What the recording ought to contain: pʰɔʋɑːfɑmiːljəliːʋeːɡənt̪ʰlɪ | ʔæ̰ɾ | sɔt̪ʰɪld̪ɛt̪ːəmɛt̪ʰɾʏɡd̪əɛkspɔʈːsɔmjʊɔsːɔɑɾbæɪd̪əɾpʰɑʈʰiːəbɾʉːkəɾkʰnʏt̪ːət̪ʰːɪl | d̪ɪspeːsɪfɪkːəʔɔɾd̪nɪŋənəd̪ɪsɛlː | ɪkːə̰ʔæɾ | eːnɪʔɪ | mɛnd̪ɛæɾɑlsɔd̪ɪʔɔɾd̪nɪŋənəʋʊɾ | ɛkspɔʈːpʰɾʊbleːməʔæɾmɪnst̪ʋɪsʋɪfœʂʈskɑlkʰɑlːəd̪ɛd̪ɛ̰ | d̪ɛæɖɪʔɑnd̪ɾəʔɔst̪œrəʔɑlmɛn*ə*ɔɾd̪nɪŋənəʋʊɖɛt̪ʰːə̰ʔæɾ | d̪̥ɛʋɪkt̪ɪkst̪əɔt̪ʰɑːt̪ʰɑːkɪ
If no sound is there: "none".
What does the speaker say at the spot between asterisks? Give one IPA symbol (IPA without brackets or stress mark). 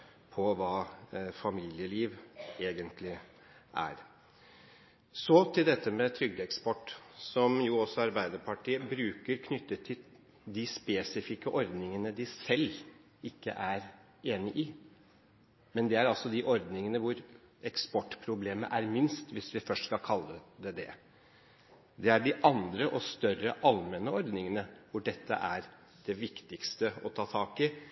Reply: ə